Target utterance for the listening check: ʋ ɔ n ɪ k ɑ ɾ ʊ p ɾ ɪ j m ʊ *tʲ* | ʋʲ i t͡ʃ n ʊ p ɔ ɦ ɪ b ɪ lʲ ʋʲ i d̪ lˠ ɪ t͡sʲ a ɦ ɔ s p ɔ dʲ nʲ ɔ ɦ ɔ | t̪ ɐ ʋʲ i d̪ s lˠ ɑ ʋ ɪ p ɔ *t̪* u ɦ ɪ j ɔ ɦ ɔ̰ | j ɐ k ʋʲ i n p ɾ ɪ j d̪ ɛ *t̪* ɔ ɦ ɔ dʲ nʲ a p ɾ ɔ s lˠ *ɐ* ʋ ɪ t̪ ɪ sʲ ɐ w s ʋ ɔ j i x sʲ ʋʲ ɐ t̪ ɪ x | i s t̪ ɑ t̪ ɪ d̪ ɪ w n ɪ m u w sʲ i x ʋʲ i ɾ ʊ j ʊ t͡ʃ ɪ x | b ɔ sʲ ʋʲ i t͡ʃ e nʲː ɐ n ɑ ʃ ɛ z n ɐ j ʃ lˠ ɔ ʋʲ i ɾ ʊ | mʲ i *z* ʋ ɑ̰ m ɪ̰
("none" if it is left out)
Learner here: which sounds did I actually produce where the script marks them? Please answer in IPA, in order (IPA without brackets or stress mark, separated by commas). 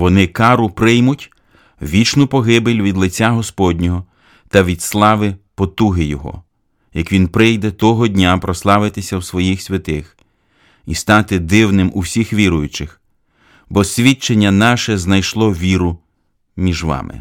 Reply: tʲ, t̪, t̪, ɑ, ʒ